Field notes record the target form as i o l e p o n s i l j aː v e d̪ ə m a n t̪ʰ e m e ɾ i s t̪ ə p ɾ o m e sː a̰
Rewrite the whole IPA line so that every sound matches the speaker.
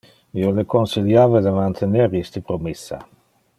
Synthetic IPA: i o l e k o n s i l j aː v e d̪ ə m a n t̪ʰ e n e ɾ i s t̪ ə p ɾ o m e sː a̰